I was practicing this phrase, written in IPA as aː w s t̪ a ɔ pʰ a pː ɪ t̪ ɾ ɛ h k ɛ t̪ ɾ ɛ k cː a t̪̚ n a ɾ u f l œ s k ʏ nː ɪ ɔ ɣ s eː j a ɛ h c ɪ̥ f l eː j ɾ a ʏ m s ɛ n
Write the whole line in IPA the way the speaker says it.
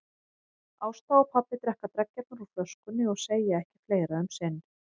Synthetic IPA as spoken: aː w s t̪ a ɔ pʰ a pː ɪ t̪ ɾ ɛ h k a t̪ ɾ ɛ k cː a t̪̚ n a ɾ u f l œ s k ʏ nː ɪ ɔ ɣ s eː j a ɛ h c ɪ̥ f l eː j ɾ a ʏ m s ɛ n